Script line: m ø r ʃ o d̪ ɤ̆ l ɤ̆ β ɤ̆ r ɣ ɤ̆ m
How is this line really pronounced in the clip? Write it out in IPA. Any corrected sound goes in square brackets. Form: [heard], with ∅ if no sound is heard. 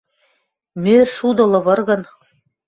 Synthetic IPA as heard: m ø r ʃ [u] d̪ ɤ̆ l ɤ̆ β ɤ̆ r ɣ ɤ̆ [n]